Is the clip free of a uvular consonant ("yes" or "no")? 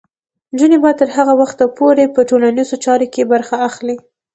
yes